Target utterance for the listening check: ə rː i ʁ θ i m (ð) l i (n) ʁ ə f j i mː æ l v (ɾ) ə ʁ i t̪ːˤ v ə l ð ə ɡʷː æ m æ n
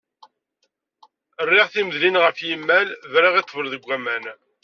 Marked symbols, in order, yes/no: yes, yes, yes

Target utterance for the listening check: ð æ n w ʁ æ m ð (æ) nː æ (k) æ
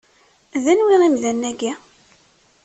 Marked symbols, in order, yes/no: yes, no

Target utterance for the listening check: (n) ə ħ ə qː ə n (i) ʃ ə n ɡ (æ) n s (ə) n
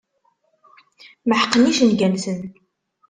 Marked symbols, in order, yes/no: no, yes, yes, yes

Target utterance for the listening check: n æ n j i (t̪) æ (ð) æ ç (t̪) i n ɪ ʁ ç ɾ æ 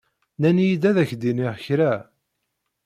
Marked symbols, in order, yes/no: no, yes, no

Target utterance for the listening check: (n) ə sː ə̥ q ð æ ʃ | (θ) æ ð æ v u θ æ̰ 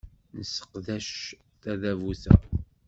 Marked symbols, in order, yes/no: yes, yes

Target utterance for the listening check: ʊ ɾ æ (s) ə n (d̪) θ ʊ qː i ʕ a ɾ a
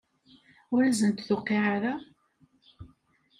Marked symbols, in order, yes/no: no, no

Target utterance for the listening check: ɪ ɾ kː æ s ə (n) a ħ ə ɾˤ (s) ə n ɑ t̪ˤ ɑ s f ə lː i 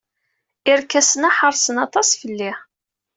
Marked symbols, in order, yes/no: yes, yes

